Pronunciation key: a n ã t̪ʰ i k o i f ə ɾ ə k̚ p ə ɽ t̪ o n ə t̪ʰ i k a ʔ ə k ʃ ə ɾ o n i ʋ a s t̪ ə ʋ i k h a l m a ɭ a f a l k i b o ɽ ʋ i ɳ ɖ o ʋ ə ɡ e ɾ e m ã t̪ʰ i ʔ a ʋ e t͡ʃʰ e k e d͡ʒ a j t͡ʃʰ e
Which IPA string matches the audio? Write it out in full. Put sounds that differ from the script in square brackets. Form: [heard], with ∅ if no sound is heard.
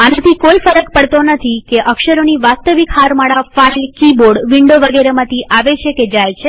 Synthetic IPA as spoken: a n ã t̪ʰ i k o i f ə ɾ ə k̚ p ə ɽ t̪ o n ə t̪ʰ i k [e] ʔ ə k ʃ ə ɾ o n i ʋ a s t̪ ə ʋ i k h a [ɾ] m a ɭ a f a l k i b o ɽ ʋ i ɳ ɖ o ʋ ə ɡ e ɾ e m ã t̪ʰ i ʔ a ʋ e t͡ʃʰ e k e d͡ʒ a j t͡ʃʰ e